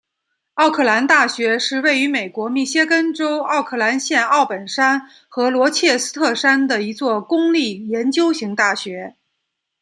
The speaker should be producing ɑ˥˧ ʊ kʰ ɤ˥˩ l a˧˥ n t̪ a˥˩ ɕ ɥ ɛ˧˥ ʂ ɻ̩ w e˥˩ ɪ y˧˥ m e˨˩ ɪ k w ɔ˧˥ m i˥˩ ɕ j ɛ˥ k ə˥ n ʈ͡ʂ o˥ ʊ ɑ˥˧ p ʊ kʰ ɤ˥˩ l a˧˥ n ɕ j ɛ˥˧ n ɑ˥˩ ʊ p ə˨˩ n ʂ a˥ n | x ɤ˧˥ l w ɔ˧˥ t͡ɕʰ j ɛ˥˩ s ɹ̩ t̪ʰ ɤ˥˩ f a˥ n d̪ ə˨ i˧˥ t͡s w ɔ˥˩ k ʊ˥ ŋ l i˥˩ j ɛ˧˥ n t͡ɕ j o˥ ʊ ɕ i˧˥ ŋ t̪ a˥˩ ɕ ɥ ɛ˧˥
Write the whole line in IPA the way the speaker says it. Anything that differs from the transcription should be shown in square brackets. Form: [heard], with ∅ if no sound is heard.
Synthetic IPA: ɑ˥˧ ʊ kʰ ɤ˥˩ l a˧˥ n t̪ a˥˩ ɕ ɥ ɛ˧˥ ʂ ɻ̩ w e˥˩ ɪ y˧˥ m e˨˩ ɪ k w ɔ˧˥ m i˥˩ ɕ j ɛ˥ k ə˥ n ʈ͡ʂ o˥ ʊ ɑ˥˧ [∅] ʊ kʰ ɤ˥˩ l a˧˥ n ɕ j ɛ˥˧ n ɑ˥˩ ʊ p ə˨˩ n ʂ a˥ n | x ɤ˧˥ l w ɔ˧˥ t͡ɕʰ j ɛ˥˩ s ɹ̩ t̪ʰ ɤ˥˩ [ʂ] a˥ n d̪ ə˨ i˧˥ t͡s w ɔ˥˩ k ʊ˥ ŋ l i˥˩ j ɛ˧˥ n t͡ɕ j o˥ ʊ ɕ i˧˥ ŋ t̪ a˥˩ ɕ ɥ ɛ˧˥